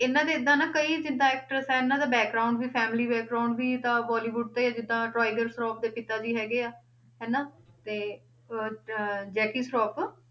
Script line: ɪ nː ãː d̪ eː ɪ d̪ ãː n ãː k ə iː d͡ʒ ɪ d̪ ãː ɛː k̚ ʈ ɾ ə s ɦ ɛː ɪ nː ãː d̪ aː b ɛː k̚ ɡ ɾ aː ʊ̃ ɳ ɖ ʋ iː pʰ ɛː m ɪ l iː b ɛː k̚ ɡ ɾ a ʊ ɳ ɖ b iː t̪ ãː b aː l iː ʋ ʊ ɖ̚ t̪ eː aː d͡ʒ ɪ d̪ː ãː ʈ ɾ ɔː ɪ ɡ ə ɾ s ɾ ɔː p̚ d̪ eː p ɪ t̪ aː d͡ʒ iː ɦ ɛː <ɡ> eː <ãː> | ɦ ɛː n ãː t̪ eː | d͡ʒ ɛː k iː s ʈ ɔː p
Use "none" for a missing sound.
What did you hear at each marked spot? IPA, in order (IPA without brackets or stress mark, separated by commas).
ɡ, aː